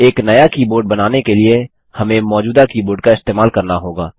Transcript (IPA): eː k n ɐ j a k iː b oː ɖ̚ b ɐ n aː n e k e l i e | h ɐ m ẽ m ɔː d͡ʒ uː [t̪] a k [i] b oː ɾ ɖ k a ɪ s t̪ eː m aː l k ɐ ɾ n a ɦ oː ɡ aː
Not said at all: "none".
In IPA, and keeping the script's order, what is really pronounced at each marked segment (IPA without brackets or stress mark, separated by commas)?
d̪, iː